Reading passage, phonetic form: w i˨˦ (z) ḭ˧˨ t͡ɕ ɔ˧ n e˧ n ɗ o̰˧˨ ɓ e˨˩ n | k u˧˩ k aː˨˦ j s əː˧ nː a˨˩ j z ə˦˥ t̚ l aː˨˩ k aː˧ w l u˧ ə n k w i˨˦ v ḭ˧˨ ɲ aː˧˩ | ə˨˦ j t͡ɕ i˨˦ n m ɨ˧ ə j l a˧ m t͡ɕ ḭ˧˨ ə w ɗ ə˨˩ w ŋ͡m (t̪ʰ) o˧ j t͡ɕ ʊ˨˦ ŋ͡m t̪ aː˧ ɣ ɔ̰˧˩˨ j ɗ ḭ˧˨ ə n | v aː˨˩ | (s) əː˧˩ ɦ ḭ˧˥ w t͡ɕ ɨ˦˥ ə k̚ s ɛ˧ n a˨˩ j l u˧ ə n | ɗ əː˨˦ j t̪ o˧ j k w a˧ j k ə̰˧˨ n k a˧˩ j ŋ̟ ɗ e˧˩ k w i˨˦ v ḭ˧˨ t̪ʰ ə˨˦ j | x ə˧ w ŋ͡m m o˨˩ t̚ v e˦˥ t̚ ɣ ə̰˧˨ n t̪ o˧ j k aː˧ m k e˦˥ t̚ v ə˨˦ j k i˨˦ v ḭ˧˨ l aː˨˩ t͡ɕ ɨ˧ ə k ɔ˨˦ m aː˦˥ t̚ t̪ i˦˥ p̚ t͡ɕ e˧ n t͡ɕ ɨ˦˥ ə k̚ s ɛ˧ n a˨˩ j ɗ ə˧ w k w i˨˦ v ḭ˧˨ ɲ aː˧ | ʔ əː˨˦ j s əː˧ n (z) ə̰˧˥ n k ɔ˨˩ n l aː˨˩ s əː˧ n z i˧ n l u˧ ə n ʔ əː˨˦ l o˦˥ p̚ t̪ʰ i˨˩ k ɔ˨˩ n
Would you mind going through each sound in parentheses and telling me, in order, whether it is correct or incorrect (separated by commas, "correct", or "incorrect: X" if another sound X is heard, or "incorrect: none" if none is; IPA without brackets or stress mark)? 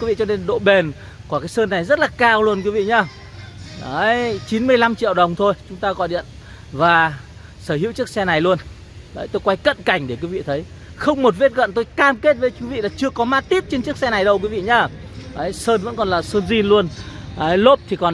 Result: incorrect: v, correct, correct, incorrect: v